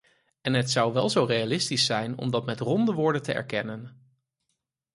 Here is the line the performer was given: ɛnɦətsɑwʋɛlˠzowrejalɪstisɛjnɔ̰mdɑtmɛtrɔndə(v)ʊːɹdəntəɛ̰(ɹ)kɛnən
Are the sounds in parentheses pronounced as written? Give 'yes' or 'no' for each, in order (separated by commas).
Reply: no, yes